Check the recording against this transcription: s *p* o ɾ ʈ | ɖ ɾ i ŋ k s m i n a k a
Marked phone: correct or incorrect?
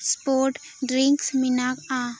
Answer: correct